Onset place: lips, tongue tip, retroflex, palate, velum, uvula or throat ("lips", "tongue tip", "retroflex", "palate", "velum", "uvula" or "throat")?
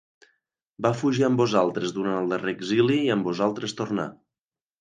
lips